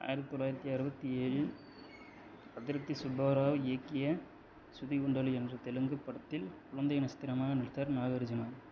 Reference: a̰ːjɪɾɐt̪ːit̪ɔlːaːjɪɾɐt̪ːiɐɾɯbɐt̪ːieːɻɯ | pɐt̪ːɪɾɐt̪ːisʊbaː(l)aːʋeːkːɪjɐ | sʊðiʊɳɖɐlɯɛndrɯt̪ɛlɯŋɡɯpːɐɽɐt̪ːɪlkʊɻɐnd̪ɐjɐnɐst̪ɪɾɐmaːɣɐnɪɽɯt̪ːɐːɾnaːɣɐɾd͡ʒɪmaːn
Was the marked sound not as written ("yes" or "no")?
yes